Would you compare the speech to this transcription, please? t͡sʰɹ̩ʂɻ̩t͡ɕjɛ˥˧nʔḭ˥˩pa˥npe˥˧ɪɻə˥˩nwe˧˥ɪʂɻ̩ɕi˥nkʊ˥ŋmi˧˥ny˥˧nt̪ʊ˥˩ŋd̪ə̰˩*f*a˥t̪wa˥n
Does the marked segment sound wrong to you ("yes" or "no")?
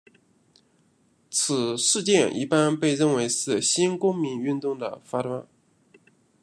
no